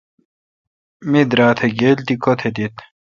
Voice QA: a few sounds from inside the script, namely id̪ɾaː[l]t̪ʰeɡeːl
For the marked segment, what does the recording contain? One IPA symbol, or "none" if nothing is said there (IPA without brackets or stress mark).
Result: none